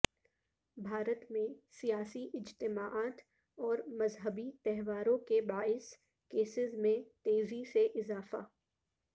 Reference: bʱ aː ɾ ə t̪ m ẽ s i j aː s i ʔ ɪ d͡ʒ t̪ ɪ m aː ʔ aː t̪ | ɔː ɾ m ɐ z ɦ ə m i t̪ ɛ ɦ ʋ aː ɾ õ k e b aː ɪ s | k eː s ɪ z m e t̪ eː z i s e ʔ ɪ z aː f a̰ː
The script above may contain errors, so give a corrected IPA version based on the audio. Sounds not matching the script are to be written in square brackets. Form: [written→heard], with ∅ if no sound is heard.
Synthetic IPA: bʱ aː ɾ ə t̪ m ẽ s i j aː s i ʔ ɪ d͡ʒ t̪ ɪ m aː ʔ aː t̪ | ɔː ɾ m ɐ z ɦ ə [m→b] i t̪ ɛ ɦ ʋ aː ɾ õ k e b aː ɪ s | k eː s ɪ z m [e→ẽ] t̪ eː z i s e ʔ ɪ z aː f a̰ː